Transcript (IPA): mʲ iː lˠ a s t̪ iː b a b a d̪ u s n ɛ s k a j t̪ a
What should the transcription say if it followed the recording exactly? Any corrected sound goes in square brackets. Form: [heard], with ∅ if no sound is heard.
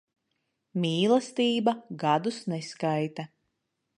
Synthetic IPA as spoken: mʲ iː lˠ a s t̪ iː b a [ɡ] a d̪ u s n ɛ s k a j t̪ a